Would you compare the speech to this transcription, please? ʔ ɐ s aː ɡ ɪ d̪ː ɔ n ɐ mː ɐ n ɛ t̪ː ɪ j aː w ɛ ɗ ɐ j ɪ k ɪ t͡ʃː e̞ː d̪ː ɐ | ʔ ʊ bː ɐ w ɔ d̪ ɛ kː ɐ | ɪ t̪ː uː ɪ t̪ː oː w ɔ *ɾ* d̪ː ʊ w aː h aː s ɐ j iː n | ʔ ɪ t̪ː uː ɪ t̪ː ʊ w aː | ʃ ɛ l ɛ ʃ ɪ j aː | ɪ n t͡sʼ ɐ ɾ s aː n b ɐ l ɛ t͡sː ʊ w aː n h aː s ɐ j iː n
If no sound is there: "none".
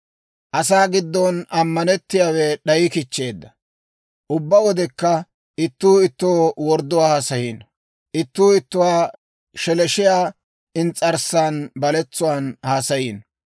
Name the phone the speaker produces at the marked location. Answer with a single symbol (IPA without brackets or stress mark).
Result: ɾ